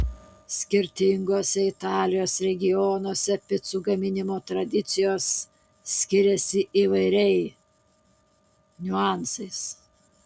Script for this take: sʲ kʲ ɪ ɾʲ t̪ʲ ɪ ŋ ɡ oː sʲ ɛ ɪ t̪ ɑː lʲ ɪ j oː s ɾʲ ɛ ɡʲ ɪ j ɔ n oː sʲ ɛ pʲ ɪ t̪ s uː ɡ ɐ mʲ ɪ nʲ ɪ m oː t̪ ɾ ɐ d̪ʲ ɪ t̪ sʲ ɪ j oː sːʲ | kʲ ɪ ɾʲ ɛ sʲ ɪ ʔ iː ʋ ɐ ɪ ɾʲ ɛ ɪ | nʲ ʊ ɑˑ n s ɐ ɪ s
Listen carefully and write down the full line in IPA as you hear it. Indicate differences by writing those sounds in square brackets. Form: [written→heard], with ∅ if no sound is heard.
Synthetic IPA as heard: sʲ kʲ ɪ ɾʲ t̪ʲ ɪ ŋ ɡ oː sʲ ɛ ɪ t̪ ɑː lʲ ɪ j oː s ɾʲ ɛ ɡʲ ɪ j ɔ n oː sʲ ɛ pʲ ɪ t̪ s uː ɡ ɐ mʲ ɪ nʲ ɪ m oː t̪ ɾ ɐ d̪ʲ ɪ t̪ sʲ ɪ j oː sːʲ | kʲ ɪ ɾʲ ɛ sʲ ɪ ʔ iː ʋ ɐ ɪ ɾʲ ɛ ɪ | nʲ ʊ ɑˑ n s ɐ ɪ s